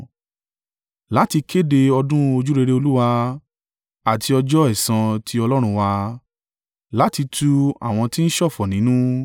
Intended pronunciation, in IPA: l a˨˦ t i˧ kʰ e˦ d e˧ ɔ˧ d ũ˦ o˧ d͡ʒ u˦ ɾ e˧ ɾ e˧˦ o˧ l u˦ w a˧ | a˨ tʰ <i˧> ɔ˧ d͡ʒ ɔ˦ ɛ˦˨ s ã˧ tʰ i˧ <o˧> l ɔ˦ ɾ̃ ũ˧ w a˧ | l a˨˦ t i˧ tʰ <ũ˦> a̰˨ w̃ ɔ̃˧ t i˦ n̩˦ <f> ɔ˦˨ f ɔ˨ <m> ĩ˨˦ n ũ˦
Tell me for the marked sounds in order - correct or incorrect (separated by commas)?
correct, incorrect, incorrect, incorrect, incorrect